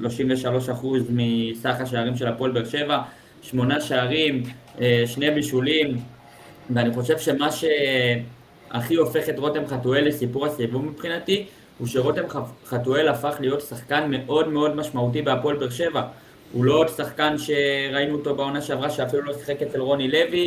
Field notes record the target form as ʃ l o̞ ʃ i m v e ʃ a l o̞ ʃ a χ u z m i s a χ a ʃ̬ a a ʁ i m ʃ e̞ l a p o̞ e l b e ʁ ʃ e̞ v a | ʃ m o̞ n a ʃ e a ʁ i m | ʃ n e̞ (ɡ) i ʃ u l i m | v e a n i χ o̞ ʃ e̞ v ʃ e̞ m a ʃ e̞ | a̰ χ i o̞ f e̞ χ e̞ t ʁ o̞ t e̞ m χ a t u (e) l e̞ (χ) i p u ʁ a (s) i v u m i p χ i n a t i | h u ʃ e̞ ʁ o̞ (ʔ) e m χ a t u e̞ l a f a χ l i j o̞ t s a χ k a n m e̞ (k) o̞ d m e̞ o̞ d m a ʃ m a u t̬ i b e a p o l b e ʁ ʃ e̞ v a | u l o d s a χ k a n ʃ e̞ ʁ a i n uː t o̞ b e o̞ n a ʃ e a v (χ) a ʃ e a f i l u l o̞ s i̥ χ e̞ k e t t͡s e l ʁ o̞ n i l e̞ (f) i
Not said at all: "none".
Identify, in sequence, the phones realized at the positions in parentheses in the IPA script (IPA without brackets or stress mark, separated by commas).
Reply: b, e, s, s, t, ʔ, ʁ, v